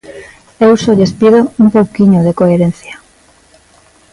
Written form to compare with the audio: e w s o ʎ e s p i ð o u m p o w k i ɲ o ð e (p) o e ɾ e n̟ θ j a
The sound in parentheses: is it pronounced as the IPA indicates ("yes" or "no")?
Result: no